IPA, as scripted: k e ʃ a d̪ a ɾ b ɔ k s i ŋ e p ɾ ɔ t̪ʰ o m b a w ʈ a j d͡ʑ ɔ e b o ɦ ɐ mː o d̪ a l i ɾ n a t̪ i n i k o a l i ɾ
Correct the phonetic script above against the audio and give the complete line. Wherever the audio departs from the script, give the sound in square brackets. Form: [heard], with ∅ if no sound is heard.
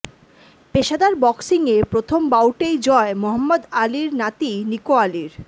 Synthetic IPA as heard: [p] e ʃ a d̪ a ɾ b ɔ k s i ŋ e p ɾ [o] t̪ʰ o m b a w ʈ [e] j d͡ʑ ɔ e [m] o ɦ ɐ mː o d̪ a l i ɾ n a t̪ i n i k o a l i ɾ

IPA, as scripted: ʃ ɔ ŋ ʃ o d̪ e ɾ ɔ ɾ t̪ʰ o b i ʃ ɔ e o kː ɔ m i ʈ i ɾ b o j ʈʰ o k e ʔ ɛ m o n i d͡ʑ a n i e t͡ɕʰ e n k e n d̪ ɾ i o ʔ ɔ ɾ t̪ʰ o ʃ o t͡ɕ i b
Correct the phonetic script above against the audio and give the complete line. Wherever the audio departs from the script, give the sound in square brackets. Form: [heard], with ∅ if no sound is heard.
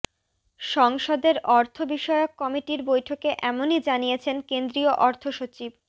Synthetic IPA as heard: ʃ ɔ ŋ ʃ o d̪ e ɾ ɔ ɾ t̪ʰ o b i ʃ ɔ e o kː ɔ m i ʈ i ɾ b o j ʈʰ o k e ʔ ɛ m o n i d͡ʑ a n i e t͡ɕʰ e n k e n d̪ ɾ i o ʔ ɔ ɾ t̪ʰ o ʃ o t͡ɕ i b

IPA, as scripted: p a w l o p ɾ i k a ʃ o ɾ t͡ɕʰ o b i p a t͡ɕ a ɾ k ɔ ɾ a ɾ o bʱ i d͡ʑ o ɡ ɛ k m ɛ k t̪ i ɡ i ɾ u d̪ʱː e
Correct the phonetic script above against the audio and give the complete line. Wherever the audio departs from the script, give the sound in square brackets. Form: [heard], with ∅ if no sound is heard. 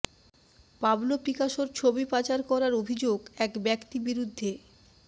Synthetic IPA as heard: p a [b] l o p ɾ i k a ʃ o ɾ t͡ɕʰ o b i p a t͡ɕ a ɾ k ɔ ɾ a ɾ o bʱ i d͡ʑ o ɡ ɛ k [b] ɛ k t̪ i [b] i ɾ u d̪ʱː e

